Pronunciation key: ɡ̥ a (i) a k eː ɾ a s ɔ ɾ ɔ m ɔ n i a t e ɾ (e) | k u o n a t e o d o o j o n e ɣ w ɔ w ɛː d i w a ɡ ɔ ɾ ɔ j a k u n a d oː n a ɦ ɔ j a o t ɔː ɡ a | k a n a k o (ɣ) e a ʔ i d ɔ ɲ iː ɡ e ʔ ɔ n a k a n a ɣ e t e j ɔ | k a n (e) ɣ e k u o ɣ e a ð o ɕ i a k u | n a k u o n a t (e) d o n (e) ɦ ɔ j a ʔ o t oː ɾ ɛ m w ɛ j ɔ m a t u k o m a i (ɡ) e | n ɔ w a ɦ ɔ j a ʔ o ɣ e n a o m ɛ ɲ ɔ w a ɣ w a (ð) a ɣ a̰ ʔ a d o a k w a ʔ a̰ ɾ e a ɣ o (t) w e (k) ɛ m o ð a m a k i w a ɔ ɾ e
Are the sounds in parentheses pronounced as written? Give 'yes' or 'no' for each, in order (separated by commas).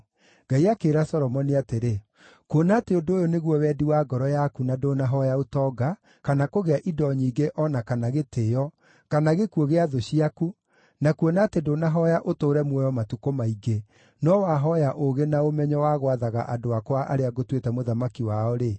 yes, yes, yes, no, yes, no, yes, yes, yes, no